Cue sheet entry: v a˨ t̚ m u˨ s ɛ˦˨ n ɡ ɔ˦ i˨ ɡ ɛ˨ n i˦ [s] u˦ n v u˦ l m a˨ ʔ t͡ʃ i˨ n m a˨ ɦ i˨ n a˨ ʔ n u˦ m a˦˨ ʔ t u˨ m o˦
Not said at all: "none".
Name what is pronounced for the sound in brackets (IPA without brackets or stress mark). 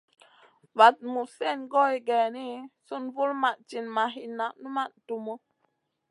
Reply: s